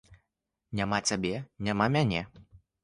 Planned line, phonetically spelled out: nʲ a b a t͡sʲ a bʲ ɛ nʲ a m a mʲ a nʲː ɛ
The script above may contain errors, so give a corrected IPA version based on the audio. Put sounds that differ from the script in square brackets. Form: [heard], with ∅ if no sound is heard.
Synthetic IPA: nʲ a [m] a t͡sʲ a bʲ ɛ nʲ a m a mʲ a [nʲ] ɛ